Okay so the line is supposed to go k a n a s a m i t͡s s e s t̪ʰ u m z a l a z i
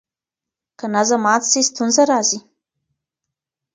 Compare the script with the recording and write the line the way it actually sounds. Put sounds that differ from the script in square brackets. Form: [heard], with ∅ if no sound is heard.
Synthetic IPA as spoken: k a n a [z] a m [a] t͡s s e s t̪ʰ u [n] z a [ɾ] a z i

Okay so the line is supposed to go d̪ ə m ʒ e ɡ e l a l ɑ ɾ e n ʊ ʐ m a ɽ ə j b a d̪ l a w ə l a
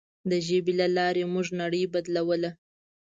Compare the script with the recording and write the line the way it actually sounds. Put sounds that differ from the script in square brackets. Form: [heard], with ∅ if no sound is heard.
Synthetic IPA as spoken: d̪ ə [∅] ʒ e [b] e l a l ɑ ɾ e [m] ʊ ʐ [n] a ɽ ə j b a d̪ l a w ə l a

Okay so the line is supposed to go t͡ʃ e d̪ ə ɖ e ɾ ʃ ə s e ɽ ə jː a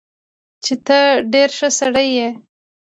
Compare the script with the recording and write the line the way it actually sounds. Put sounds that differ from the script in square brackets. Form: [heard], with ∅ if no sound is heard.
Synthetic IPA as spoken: t͡ʃ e [t̪] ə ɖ e ɾ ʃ ə s [a] ɽ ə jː [e]

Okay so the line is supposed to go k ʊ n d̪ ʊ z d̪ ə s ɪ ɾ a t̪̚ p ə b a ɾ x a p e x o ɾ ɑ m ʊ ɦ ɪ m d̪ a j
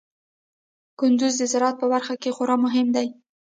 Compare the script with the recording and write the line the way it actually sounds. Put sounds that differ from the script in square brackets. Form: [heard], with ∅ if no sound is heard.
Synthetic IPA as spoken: k ʊ n d̪ ʊ z d̪ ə [z] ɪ ɾ [ɑ] t̪̚ p ə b a ɾ x a [k] e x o ɾ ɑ m ʊ ɦ ɪ m d̪ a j

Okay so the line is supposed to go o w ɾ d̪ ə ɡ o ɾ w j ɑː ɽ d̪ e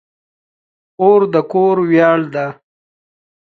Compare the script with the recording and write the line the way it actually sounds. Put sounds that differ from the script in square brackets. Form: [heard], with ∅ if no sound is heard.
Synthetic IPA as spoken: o [∅] ɾ d̪ ə [k] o ɾ w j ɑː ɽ d̪ [a]

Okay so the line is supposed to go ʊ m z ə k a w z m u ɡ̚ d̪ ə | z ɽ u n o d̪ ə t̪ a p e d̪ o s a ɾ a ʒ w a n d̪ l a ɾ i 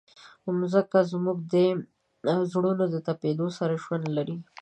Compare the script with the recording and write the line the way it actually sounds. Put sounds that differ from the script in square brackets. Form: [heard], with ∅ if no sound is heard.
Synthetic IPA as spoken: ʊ m z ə k a [∅] z m u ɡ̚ d̪ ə | z ɽ u n o d̪ ə t̪ a p e d̪ o s a ɾ a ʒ w a n d̪ l a ɾ i

